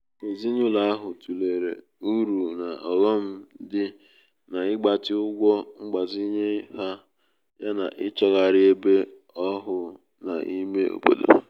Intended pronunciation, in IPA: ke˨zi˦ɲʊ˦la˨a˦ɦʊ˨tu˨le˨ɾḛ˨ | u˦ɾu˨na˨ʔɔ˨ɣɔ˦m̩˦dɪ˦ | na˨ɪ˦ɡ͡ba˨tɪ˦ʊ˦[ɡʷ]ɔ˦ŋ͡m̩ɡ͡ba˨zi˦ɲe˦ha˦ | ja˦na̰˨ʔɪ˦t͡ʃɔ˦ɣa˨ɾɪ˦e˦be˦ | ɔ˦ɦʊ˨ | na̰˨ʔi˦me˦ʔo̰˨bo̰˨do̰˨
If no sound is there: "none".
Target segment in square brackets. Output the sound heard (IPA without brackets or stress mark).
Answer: ɡʷ